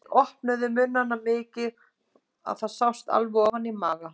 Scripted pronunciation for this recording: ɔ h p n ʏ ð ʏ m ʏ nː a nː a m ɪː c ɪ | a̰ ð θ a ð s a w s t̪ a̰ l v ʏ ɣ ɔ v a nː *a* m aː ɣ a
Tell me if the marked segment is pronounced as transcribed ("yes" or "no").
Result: no